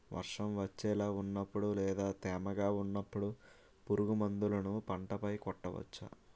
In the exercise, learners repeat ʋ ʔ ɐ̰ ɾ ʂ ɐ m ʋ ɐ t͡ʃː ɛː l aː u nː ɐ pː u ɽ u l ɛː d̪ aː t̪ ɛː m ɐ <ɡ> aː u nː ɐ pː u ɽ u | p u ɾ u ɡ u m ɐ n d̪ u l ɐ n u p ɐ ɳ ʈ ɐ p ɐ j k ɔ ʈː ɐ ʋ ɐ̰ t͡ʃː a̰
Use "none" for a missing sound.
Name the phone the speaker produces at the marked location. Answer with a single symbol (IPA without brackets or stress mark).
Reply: ɡ